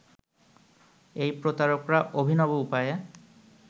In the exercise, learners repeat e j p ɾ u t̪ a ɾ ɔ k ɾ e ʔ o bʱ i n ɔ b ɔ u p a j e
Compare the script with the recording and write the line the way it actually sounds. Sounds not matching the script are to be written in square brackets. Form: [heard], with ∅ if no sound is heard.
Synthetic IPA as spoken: e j p ɾ [o] t̪ a ɾ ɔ k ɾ [a] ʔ o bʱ i n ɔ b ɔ u p a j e